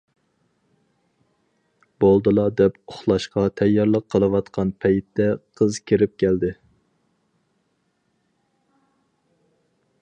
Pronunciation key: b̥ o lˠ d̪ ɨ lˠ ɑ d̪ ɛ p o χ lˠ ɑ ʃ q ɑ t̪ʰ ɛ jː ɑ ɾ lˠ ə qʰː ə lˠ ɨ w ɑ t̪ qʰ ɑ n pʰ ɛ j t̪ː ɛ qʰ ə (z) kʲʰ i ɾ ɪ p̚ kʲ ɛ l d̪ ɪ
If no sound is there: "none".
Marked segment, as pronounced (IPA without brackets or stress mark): z